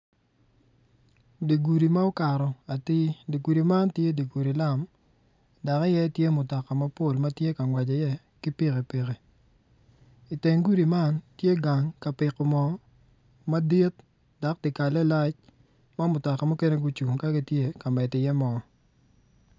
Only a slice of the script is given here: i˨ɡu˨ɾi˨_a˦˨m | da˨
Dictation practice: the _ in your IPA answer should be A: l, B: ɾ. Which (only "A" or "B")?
A